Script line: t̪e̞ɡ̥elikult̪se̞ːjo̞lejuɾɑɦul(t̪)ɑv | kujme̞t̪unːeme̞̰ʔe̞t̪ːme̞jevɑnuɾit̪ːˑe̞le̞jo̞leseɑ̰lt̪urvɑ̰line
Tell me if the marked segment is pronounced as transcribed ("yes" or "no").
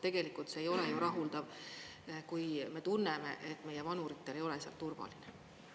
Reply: no